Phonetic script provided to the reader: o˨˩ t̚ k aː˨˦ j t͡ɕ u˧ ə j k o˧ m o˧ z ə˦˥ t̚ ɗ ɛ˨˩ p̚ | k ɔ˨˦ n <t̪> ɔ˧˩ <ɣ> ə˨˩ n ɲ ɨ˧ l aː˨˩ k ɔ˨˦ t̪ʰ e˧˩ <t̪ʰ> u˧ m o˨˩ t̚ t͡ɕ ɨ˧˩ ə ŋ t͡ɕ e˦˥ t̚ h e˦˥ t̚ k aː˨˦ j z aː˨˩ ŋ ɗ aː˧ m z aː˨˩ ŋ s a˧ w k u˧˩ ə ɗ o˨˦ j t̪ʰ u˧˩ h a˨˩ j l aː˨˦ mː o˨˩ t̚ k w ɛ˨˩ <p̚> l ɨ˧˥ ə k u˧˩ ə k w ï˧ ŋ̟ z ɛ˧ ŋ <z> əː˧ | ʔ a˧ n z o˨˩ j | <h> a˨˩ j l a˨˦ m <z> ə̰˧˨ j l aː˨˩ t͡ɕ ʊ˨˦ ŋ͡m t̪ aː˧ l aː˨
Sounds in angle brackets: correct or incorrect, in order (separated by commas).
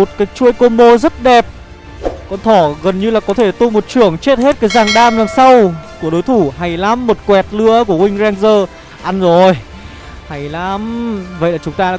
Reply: incorrect, correct, incorrect, incorrect, correct, correct, incorrect